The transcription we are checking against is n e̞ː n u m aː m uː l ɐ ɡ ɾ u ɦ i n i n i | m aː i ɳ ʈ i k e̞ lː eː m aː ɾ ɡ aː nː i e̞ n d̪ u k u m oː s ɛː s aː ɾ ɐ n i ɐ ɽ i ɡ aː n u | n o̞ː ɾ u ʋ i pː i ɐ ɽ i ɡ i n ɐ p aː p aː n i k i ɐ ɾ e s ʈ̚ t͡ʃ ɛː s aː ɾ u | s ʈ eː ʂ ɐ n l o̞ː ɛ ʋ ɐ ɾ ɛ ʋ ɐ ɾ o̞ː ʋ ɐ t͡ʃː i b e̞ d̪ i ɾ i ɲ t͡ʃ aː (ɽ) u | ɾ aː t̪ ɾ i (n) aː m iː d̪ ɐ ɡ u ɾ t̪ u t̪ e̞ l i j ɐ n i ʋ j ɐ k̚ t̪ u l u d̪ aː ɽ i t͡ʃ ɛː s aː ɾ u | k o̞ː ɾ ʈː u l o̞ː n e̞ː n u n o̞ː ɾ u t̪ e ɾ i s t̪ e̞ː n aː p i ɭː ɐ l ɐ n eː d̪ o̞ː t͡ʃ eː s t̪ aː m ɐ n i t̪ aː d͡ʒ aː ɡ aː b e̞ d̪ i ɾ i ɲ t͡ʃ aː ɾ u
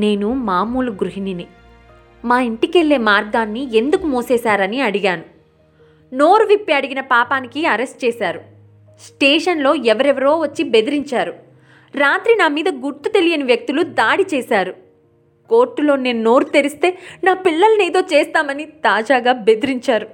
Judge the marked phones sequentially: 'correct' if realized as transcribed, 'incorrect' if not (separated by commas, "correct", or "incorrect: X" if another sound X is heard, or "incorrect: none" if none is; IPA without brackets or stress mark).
incorrect: ɾ, correct